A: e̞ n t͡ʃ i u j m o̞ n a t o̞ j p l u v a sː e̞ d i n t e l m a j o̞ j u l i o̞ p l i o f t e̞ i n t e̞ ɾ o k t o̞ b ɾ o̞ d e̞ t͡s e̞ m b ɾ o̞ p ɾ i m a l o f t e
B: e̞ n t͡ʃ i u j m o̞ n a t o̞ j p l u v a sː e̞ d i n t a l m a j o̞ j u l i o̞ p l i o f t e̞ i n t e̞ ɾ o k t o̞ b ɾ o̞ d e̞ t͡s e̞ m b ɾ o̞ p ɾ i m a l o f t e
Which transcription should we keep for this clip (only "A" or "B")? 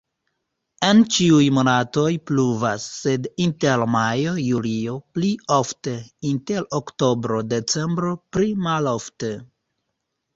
A